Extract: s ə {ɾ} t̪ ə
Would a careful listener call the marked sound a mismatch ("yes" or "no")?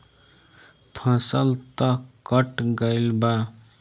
yes